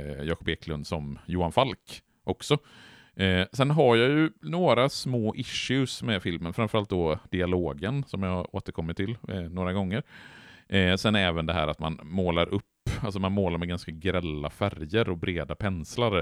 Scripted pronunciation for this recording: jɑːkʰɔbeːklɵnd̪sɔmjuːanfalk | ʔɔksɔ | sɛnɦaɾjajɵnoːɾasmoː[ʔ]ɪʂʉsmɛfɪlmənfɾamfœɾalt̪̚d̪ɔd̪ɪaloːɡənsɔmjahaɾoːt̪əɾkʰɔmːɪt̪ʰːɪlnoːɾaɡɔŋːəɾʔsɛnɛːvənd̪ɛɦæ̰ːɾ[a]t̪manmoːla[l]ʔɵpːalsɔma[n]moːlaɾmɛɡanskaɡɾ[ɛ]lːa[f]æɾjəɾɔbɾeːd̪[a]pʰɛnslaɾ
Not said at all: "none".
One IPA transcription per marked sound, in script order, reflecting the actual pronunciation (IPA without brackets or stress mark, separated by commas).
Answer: ʔ, a, ɾ, n, ɛ, f, a